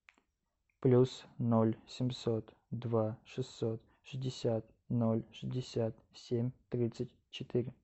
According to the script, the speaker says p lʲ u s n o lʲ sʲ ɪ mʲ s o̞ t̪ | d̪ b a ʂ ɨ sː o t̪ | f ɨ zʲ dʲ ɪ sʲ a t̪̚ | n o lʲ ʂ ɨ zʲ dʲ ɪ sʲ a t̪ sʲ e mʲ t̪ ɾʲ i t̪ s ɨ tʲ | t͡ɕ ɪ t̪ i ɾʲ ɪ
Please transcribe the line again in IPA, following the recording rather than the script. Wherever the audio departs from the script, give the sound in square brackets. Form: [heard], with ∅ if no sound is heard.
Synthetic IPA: p lʲ u s n o lʲ sʲ ɪ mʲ s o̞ t̪ | d̪ [v] a ʂ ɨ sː o t̪ | [ʂ] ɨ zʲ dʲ ɪ sʲ a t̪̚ | n o lʲ ʂ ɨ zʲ dʲ ɪ sʲ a t̪ sʲ e mʲ t̪ ɾʲ i t̪ s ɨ tʲ | t͡ɕ ɪ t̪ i ɾʲ ɪ